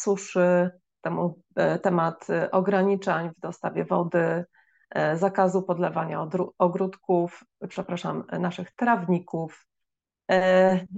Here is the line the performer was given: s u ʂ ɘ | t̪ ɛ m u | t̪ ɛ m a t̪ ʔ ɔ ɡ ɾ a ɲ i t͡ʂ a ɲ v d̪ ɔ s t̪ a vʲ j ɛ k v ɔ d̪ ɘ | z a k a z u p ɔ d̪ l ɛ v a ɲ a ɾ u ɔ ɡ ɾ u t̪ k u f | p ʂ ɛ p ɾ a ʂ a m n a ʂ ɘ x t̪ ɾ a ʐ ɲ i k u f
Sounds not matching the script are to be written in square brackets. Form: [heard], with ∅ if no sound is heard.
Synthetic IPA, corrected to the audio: s u ʂ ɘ | t̪ ɛ m u | t̪ ɛ m a t̪ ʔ ɔ ɡ ɾ a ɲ i t͡ʂ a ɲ v d̪ ɔ s t̪ a vʲ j ɛ [∅] v ɔ d̪ ɘ | z a k a z u p ɔ d̪ l ɛ v a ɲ a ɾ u ɔ ɡ ɾ u t̪ k u f | p ʂ ɛ p ɾ a ʂ a m n a ʂ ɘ x t̪ ɾ a [v] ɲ i k u f